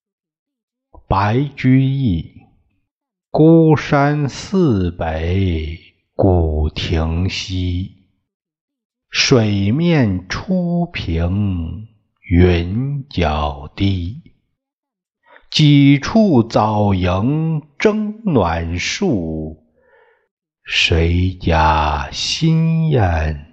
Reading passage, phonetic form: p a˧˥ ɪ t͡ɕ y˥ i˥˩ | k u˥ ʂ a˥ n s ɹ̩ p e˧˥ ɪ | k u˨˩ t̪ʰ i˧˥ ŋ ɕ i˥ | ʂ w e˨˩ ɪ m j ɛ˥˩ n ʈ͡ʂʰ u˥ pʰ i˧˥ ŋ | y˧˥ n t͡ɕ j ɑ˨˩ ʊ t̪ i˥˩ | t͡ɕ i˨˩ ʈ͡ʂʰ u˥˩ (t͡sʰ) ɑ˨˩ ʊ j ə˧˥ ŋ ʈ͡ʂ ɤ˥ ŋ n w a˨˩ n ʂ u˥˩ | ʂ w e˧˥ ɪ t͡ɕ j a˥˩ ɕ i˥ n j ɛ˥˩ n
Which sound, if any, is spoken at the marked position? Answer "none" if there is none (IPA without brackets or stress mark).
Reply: t͡s